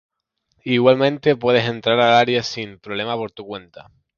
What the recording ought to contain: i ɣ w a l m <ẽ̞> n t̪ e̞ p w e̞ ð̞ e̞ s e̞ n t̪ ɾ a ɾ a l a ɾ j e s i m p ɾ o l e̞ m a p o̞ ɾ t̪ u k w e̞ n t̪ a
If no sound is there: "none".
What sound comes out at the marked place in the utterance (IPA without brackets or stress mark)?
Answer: ẽ̞